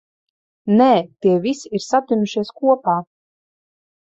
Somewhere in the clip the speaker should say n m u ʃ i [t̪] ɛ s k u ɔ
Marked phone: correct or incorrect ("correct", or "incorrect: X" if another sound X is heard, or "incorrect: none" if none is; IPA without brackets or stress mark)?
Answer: incorrect: none